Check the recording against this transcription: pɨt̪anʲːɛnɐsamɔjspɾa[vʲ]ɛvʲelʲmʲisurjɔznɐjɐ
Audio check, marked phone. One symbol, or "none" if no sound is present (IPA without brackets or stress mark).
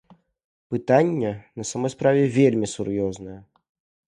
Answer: vʲ